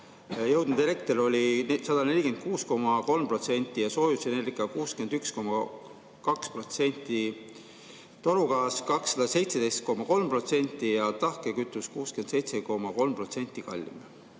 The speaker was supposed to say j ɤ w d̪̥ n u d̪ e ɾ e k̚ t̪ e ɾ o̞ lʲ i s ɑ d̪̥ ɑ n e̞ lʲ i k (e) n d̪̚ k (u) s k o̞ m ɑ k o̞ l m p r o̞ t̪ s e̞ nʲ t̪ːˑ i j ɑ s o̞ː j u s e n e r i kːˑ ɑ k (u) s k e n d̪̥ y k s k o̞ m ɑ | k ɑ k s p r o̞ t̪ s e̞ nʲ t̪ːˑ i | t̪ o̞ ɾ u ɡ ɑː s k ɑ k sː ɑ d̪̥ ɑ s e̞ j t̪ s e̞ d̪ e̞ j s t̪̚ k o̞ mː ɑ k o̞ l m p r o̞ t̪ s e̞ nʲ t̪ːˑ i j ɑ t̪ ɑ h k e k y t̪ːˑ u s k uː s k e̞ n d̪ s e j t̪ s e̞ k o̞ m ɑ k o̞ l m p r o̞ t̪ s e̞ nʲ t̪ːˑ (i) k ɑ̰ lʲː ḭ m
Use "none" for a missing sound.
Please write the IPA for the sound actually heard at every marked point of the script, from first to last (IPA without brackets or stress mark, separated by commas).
e, uː, uː, i